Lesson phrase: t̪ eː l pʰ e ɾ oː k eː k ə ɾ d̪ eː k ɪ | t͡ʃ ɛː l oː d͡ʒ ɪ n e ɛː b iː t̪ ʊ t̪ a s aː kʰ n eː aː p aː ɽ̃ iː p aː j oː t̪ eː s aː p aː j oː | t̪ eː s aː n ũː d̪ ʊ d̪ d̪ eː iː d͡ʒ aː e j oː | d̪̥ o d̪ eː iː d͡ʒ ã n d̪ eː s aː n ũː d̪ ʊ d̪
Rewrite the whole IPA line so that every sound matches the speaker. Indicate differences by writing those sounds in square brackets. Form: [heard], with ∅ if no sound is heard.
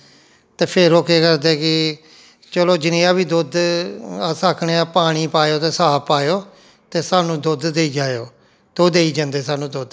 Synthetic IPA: t̪ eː [∅] pʰ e ɾ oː k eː k ə ɾ d̪ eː k ɪ | t͡ʃ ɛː l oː d͡ʒ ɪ n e [aː] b iː [d̪] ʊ [d̪] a s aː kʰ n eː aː p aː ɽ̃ iː p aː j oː t̪ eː s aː p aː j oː | t̪ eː s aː n ũː d̪ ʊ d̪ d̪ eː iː d͡ʒ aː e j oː | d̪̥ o d̪ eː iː d͡ʒ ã n d̪ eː s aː n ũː d̪ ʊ d̪